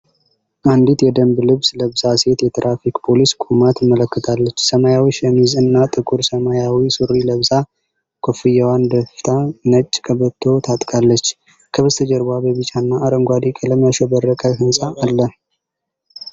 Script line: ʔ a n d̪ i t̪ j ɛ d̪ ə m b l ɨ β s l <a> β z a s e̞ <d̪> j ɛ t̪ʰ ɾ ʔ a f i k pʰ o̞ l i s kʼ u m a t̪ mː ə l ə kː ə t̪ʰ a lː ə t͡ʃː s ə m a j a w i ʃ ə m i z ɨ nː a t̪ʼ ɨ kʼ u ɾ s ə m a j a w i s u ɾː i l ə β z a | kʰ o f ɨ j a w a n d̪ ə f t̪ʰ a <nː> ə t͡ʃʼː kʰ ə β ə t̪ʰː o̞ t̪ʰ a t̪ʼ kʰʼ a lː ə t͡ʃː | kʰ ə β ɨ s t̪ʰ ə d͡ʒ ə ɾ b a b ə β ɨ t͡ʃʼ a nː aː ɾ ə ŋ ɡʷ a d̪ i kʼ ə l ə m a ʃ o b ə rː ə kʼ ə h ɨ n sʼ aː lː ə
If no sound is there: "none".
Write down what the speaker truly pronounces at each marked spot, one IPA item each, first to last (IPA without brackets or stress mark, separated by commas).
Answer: ə, t̪, n